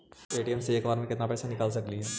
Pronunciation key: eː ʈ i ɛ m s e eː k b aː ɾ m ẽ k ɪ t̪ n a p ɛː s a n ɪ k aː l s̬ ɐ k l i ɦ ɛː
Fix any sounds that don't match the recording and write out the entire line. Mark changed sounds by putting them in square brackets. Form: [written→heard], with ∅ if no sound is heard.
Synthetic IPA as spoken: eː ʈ i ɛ m s e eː k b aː ɾ m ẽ k ɪ t̪ n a p ɛː s a n ɪ k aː l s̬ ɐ k l i ɦ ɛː